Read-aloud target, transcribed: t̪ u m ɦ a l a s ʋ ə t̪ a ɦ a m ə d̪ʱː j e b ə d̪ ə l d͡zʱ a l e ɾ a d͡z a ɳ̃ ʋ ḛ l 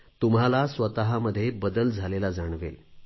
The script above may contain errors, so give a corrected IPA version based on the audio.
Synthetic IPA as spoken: t̪ u m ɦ a l a s ʋ ə t̪ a ɦ a m ə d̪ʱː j e b ə d̪ ə l d͡zʱ a l e l a d͡z a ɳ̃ ʋ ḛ l